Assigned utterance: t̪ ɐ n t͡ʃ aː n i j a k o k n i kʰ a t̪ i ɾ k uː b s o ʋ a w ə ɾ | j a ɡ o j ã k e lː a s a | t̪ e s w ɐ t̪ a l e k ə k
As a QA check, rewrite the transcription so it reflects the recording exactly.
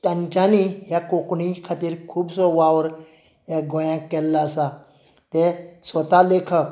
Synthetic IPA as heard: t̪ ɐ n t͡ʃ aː n i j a k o k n i kʰ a t̪ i ɾ kʰ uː b s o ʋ a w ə ɾ | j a ɡ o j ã k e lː a s a | t̪ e s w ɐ t̪ a l e kʰ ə k